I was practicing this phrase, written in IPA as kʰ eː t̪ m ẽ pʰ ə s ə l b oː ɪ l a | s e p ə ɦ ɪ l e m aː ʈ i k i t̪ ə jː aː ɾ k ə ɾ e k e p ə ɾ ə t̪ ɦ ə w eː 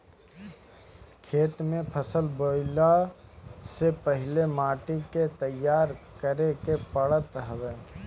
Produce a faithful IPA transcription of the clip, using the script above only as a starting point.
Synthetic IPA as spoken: kʰ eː t̪ m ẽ pʰ ə s ə l b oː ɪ l a | s e p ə ɦ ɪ l e m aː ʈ i k e t̪ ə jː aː ɾ k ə ɾ e k e p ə ɽ ə t̪ ɦ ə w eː